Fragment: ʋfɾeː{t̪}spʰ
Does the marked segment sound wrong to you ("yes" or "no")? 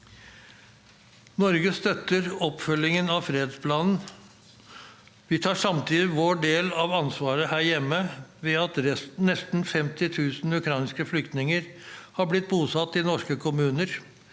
yes